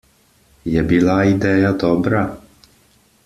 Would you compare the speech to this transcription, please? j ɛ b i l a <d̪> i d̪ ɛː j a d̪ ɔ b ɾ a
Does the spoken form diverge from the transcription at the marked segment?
yes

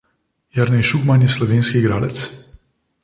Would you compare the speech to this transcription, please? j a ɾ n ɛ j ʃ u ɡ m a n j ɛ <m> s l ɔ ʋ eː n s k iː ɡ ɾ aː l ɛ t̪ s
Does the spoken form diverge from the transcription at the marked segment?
yes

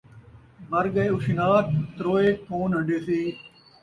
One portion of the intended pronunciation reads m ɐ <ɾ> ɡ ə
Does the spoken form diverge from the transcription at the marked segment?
no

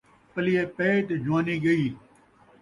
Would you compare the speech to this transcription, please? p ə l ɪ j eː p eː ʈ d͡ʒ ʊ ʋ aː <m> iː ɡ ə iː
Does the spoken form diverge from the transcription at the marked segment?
yes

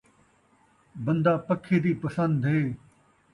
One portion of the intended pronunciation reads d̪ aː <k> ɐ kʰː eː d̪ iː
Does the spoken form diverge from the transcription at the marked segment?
yes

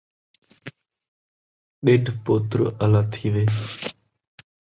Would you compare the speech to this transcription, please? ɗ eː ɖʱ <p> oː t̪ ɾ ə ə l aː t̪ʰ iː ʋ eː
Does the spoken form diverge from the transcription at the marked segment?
no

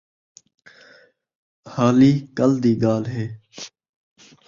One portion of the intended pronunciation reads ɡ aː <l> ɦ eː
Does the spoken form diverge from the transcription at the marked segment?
no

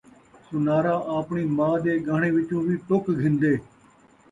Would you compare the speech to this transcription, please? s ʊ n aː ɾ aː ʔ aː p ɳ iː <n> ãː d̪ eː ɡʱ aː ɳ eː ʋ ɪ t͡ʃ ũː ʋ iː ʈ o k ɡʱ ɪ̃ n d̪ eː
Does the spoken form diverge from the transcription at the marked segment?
yes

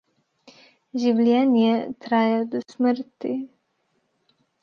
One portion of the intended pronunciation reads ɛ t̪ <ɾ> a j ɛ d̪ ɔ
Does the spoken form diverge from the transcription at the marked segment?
no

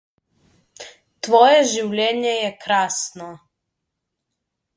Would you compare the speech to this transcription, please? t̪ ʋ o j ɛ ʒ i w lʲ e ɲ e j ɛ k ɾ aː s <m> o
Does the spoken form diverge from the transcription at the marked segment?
yes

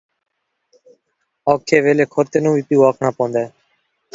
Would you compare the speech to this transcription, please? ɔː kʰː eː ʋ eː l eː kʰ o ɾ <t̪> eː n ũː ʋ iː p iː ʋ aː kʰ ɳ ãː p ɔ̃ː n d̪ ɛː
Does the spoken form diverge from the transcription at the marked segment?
no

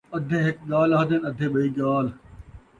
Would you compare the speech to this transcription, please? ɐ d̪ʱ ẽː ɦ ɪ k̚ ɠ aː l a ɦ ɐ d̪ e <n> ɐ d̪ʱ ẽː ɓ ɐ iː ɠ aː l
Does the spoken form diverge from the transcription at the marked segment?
no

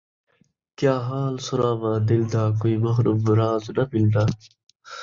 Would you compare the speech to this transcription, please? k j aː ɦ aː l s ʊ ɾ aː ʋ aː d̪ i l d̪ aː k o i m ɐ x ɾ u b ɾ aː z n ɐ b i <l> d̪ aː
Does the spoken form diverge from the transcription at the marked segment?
no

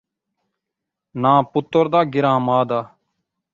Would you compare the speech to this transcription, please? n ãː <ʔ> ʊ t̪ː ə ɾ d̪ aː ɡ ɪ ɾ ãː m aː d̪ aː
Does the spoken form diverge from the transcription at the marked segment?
yes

